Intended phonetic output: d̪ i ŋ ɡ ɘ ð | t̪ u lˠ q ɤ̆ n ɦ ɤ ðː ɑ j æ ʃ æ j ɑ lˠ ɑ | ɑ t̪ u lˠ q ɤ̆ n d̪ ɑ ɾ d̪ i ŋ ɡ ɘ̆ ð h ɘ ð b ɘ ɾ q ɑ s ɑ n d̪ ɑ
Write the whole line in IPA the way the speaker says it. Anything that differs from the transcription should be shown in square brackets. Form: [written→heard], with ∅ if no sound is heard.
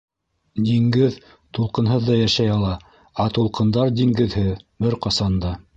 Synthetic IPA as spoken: d̪ i ŋ ɡ ɘ ð | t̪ u lˠ q ɤ̆ n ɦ ɤ ðː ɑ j æ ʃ æ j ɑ lˠ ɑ | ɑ t̪ u lˠ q ɤ̆ n d̪ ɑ ɾ d̪ i ŋ ɡ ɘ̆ ð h ɘ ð b ɘ ɾ q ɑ s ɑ n d̪ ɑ